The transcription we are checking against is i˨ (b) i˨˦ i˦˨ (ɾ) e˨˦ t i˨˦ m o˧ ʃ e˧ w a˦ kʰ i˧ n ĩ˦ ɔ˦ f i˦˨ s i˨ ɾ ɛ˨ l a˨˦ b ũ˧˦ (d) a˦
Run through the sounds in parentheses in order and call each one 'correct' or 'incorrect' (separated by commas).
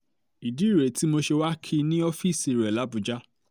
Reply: incorrect, correct, incorrect